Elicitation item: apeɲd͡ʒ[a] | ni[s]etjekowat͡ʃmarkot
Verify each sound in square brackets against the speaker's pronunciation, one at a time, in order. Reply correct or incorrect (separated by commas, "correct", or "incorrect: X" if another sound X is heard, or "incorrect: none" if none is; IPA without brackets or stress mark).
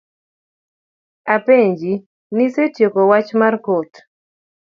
incorrect: i, correct